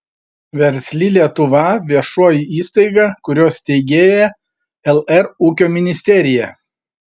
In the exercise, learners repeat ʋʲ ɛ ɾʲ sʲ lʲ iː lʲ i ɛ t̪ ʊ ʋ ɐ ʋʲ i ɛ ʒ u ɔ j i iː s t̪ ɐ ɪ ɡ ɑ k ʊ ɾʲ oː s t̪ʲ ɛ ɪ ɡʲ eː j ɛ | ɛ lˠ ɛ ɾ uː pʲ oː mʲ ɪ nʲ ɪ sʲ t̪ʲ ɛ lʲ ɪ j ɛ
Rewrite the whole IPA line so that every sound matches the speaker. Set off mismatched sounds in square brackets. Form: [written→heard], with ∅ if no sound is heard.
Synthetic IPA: ʋʲ ɛ ɾʲ sʲ lʲ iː lʲ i ɛ t̪ ʊ ʋ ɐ ʋʲ i ɛ [ʒ→ʃ] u ɔ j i iː s t̪ ɐ ɪ ɡ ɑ k ʊ ɾʲ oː s t̪ʲ ɛ ɪ ɡʲ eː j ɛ | ɛ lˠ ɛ ɾ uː [pʲ→kʲ] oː mʲ ɪ nʲ ɪ sʲ t̪ʲ ɛ [lʲ→ɾʲ] ɪ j ɛ